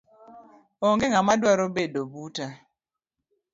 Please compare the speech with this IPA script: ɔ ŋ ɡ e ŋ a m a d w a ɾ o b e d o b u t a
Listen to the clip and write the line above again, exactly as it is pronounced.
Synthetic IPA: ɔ ŋ ɡ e ŋ a m a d w a ɾ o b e d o b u t a